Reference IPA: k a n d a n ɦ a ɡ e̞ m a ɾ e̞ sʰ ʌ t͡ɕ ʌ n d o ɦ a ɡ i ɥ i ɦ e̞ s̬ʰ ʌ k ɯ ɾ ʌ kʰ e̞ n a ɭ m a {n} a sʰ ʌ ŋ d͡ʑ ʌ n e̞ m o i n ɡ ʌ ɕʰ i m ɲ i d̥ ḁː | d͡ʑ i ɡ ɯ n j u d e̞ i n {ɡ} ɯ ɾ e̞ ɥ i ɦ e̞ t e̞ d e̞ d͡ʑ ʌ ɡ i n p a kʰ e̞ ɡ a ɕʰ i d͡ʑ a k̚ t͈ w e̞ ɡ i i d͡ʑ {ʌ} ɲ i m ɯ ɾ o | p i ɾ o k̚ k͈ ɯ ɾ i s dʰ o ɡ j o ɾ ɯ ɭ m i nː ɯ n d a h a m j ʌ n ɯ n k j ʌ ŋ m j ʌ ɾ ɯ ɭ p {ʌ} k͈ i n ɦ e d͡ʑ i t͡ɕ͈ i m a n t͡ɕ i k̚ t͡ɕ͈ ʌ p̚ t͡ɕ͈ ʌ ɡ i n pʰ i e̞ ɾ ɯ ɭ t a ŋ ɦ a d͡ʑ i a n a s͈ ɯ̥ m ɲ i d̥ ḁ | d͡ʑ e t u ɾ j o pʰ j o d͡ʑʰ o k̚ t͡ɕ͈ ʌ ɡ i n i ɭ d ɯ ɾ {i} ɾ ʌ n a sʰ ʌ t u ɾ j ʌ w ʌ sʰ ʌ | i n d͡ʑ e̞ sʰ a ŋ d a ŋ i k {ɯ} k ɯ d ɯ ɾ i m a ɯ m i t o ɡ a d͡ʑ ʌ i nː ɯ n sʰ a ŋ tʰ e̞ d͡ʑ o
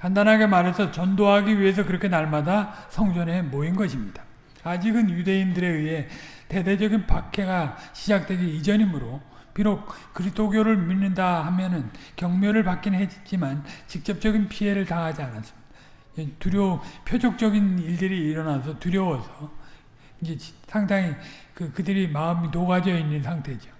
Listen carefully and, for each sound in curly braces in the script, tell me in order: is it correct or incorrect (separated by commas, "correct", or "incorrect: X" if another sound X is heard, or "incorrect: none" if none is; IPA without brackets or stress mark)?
incorrect: d, incorrect: d, correct, incorrect: a, incorrect: iː, correct